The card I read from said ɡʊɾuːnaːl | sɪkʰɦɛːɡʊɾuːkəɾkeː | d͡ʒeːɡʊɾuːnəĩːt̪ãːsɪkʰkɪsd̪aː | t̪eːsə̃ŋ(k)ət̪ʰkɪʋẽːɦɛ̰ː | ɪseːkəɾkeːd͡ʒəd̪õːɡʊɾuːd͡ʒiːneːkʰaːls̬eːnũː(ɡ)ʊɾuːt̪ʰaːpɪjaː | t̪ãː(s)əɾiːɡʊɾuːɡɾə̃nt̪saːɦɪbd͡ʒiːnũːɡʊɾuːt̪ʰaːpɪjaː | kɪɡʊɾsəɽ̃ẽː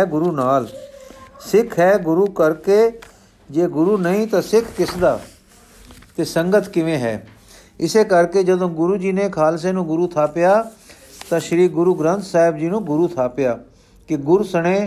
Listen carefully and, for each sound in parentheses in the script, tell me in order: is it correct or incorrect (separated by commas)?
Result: incorrect, correct, incorrect